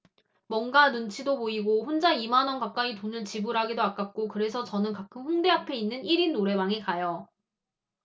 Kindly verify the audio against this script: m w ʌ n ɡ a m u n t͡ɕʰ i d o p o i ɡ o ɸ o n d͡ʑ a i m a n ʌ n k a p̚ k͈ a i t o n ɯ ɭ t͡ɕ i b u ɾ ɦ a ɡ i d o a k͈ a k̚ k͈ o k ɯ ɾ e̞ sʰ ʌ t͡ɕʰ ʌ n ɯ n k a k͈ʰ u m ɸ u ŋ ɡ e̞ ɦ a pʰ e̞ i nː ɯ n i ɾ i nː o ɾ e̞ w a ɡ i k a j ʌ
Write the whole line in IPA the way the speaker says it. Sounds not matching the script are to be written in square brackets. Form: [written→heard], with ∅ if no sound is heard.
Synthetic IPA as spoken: m w ʌ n ɡ a [m→n] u n t͡ɕʰ i d o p o i ɡ o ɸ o n d͡ʑ a i m a n ʌ n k a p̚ k͈ a i t o n ɯ ɭ t͡ɕ i b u ɾ ɦ a ɡ i d o a k͈ a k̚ k͈ o k ɯ ɾ e̞ sʰ ʌ [t͡ɕʰ→t͡ɕ] ʌ n ɯ n k a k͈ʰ [u→ɯ] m ɸ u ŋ [ɡ→d] e̞ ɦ a pʰ e̞ i nː ɯ n i ɾ i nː o ɾ e̞ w a [ɡ→ŋ] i k a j ʌ